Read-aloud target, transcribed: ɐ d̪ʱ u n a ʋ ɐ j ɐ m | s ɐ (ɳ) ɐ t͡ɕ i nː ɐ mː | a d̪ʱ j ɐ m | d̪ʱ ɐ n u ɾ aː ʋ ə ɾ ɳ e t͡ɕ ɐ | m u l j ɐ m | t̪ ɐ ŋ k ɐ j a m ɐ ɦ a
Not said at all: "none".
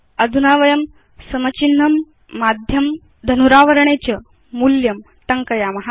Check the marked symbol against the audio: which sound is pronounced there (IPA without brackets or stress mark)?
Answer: m